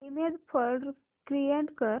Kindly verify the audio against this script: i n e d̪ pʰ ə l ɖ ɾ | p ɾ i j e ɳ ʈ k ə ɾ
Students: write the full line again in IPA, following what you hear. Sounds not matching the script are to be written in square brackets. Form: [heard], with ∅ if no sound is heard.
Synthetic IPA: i [m] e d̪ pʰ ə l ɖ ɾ | [k] ɾ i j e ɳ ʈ k ə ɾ